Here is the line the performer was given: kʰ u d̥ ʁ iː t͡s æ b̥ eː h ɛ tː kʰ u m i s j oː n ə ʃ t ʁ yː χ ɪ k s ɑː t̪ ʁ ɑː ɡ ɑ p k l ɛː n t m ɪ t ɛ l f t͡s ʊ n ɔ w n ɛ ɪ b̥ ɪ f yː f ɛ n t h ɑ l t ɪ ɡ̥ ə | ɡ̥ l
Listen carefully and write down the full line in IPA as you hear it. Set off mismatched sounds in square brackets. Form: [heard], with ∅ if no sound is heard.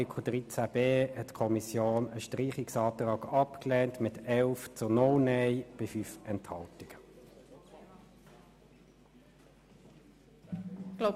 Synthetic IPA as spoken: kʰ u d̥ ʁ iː t͡s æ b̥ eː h ɛ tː kʰ [ɔ] m i s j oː n ə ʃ t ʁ [iː] χ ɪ k s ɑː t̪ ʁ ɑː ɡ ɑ p k l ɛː n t m ɪ t ɛ l f t͡s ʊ n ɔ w n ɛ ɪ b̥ ɪ f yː f ɛ n t h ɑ l t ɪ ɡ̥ ə | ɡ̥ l